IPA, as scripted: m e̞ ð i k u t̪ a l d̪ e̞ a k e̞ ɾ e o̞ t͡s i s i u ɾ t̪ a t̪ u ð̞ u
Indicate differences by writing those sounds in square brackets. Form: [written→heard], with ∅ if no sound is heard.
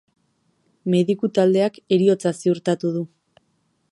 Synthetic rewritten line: m e̞ ð i k u t̪ a l d̪ e̞ a k e̞ ɾ [e→i] o̞ t͡s [i→a] s i u ɾ t̪ a t̪ u ð̞ u